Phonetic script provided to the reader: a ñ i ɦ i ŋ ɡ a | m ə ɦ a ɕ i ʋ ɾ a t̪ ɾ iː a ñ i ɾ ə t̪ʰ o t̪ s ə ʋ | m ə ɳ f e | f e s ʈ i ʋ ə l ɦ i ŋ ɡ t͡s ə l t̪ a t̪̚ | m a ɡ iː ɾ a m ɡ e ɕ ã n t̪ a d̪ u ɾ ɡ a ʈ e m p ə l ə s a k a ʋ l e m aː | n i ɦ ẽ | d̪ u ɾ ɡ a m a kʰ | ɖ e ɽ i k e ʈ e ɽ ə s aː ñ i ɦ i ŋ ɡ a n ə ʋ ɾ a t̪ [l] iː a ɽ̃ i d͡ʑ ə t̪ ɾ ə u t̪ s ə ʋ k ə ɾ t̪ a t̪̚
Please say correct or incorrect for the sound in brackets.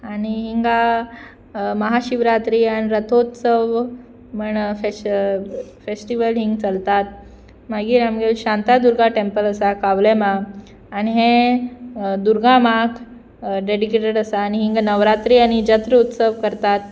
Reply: incorrect